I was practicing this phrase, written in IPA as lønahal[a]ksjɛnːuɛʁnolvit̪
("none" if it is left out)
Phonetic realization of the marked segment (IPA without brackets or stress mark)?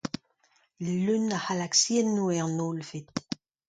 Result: a